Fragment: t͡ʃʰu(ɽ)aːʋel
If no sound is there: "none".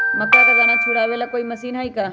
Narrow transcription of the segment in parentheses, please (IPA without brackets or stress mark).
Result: ɽ